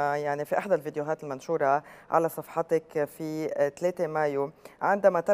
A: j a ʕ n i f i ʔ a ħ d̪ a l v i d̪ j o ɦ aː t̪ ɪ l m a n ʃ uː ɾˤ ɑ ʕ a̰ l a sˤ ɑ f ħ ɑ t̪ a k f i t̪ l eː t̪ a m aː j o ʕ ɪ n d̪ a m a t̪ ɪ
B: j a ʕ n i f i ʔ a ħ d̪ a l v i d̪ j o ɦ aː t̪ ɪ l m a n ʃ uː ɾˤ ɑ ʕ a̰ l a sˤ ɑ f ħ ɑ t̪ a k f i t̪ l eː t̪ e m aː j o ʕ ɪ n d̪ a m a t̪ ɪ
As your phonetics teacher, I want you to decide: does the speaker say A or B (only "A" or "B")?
B